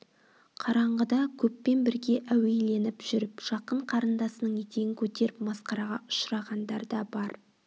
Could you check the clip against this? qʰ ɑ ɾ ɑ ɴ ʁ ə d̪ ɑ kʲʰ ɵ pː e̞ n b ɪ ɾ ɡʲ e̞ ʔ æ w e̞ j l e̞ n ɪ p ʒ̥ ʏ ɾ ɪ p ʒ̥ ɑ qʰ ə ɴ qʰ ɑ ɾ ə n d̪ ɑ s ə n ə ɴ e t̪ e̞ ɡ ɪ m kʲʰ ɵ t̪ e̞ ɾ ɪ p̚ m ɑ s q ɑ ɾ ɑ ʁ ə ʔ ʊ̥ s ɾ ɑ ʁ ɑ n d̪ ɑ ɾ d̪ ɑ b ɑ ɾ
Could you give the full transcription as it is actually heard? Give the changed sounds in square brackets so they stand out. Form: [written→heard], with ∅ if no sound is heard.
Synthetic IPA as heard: qʰ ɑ ɾ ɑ ɴ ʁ ə d̪ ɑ kʲʰ ɵ pː e̞ n b ɪ ɾ ɡʲ e̞ ʔ æ w e̞ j l e̞ n ɪ p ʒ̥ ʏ ɾ ɪ p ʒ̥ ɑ [qʰ→q] ə ɴ qʰ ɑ ɾ ə n d̪ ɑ s ə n ə ɴ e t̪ e̞ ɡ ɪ [m→ŋ] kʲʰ ɵ t̪ e̞ ɾ ɪ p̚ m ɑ s q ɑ ɾ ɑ ʁ [ə→ɑ] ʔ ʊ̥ [s→ʃ] ɾ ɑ ʁ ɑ n d̪ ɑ ɾ d̪ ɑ b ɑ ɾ